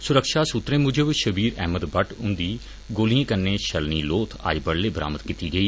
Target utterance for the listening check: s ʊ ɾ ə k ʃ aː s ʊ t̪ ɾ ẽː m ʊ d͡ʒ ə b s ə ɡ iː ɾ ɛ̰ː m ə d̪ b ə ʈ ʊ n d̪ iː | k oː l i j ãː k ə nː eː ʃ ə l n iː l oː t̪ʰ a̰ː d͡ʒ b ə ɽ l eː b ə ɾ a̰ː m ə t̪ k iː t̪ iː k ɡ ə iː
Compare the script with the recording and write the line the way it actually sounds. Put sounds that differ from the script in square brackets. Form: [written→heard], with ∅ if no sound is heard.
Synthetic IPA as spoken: s ʊ ɾ ə k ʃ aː s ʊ t̪ ɾ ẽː m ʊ d͡ʒ ə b [s→ʃ] ə [ɡ→b] iː ɾ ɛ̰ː m ə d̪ b ə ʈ ʊ n d̪ iː | [k→ɡ] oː l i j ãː k ə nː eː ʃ ə l n iː l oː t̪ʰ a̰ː d͡ʒ b ə ɽ l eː b ə ɾ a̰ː m ə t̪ k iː t̪ iː [k→∅] ɡ ə iː

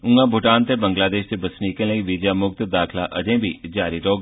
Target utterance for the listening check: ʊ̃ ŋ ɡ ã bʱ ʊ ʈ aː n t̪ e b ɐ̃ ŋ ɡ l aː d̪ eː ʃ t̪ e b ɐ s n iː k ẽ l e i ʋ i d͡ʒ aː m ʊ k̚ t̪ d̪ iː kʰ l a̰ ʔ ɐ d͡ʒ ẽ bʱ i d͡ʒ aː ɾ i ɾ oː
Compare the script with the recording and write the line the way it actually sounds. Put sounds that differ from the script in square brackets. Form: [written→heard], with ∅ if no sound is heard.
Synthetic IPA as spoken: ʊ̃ ŋ ɡ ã bʱ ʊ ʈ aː n t̪ e b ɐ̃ ŋ ɡ l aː d̪ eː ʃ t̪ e b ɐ s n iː k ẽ l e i ʋ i d͡ʒ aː m ʊ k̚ t̪ d̪ [iː→aː] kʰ l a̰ ʔ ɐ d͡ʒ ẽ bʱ i d͡ʒ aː ɾ i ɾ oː

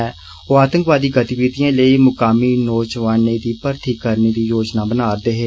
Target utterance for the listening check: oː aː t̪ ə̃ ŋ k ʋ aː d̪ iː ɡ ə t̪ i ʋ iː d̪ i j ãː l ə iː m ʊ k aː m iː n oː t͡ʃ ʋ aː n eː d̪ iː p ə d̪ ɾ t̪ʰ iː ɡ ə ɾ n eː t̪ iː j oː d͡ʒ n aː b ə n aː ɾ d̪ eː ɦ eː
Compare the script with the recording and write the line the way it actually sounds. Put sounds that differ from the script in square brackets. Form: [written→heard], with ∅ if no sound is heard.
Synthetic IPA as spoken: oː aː t̪ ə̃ ŋ k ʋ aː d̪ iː ɡ ə t̪ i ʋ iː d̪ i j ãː l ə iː m ʊ k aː m iː n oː t͡ʃ ʋ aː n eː d̪ iː p ə [d̪→∅] ɾ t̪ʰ iː [ɡ→k] ə ɾ n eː [t̪→d̪] iː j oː d͡ʒ n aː b ə n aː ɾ d̪ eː ɦ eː

